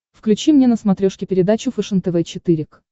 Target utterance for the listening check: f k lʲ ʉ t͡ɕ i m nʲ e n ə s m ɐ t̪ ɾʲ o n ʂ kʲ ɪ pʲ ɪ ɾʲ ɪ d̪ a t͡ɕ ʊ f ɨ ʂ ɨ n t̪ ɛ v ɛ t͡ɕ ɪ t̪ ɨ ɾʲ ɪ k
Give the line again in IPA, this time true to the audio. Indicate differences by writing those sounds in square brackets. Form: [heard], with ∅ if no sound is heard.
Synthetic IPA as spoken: f k lʲ ʉ t͡ɕ i m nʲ e n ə s m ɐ t̪ ɾʲ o [∅] ʂ kʲ ɪ pʲ ɪ ɾʲ ɪ d̪ a t͡ɕ ʊ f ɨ ʂ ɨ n t̪ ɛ v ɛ t͡ɕ ɪ t̪ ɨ ɾʲ ɪ k